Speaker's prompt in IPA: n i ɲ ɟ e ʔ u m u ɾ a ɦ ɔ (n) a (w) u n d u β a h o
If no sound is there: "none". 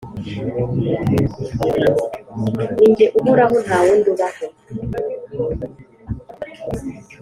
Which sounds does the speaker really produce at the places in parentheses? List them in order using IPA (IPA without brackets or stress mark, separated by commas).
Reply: n, w